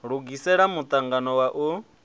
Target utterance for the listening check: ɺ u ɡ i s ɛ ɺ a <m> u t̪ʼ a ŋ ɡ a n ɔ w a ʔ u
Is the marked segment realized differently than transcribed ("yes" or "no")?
no